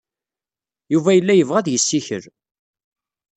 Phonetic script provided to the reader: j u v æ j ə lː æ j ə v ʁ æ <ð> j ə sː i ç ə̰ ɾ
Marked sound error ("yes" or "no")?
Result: no